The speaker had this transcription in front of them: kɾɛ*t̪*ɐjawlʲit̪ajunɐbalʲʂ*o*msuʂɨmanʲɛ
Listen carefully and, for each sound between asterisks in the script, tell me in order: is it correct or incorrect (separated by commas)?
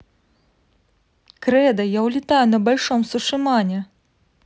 incorrect, incorrect